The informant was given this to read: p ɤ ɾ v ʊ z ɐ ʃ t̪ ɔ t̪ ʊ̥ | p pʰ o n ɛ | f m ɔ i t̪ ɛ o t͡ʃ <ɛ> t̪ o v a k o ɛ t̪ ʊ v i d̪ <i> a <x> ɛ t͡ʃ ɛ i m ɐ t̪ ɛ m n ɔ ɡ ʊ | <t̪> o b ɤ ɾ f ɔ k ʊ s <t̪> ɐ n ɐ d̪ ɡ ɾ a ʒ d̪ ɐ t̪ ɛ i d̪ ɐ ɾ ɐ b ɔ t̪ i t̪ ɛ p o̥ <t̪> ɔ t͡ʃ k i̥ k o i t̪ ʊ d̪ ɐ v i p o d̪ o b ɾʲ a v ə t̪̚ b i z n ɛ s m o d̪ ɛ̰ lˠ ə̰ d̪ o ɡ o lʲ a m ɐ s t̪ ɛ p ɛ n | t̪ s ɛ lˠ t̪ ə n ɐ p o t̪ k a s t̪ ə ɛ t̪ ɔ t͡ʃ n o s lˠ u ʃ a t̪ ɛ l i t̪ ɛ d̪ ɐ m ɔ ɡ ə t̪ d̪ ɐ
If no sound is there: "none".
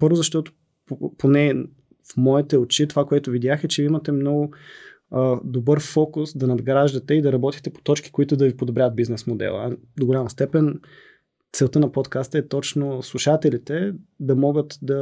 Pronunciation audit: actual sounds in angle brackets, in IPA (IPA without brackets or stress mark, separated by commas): i, j, x, d̪, d̪, t̪